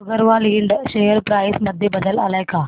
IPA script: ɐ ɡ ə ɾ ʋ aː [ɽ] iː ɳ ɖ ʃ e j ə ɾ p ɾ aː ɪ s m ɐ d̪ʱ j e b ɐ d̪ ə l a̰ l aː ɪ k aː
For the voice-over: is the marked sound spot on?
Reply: no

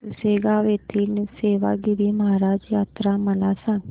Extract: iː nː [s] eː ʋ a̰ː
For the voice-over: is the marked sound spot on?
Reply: yes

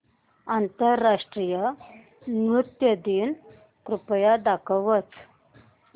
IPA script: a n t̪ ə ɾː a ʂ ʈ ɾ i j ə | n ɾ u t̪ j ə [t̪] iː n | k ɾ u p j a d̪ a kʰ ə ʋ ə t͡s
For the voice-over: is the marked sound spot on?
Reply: no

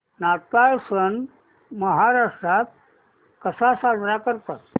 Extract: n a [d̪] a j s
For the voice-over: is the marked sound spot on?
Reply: no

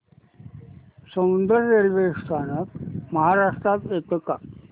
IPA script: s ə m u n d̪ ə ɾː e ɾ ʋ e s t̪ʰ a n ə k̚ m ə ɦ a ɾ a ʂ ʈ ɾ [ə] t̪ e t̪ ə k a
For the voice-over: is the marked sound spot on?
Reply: no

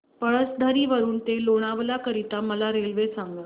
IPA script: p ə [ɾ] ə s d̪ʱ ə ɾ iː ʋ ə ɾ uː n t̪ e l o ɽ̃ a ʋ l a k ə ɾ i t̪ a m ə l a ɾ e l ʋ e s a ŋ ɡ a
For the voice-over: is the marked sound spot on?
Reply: no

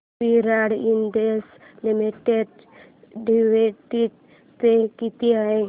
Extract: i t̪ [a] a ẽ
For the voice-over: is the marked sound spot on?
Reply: no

